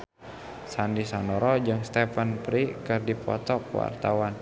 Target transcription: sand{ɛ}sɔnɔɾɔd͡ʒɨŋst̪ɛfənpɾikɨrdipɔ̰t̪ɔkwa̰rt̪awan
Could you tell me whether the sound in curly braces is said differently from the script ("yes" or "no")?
yes